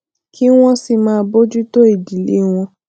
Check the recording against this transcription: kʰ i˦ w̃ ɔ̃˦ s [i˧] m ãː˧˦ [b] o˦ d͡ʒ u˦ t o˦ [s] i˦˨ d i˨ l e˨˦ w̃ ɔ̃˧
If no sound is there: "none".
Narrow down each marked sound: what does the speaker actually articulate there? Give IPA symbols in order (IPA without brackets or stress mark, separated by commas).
i˧, b, none